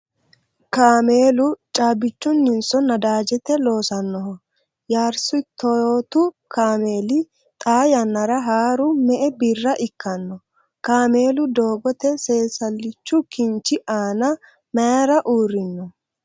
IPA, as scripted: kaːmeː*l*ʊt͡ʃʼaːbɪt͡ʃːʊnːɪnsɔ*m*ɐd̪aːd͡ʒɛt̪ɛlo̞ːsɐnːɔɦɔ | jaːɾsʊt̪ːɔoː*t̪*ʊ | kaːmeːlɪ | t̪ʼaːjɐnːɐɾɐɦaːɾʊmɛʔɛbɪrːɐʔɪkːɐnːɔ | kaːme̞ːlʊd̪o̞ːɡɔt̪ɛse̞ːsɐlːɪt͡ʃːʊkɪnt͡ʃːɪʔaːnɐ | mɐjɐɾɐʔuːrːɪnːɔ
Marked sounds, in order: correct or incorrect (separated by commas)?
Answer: correct, incorrect, correct